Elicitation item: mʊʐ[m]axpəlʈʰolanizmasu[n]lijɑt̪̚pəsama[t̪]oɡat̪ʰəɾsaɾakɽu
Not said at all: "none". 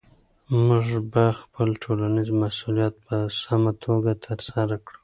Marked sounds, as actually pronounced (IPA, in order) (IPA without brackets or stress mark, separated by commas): b, none, t̪ʰ